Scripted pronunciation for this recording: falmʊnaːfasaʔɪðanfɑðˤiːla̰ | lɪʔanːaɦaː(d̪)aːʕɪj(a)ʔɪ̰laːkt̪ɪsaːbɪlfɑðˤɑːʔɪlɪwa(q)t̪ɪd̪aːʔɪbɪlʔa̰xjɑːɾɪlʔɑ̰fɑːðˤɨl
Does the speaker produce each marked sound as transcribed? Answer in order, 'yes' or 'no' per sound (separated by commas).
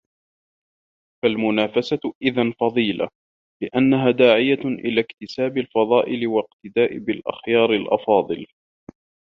yes, yes, yes